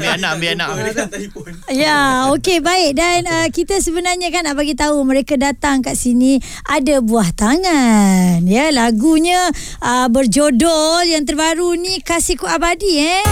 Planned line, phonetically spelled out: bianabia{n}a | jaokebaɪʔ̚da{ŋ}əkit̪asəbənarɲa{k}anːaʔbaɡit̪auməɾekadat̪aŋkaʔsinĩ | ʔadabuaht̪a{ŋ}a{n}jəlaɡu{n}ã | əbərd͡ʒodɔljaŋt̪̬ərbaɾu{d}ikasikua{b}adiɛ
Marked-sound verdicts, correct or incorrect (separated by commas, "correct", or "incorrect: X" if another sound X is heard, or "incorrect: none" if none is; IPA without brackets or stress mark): correct, incorrect: n, correct, correct, correct, incorrect: ɲ, incorrect: n, correct